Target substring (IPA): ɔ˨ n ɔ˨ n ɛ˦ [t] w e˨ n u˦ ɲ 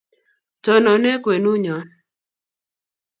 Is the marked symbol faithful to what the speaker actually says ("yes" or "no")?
no